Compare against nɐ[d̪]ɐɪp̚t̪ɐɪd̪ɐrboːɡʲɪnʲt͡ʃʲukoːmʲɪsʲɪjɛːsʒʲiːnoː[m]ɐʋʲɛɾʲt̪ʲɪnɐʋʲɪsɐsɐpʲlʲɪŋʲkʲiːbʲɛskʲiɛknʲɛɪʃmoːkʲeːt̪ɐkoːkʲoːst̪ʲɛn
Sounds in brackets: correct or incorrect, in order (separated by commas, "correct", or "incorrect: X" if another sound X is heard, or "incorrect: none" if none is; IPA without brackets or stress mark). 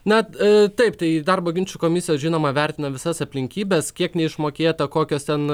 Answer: incorrect: t̪, correct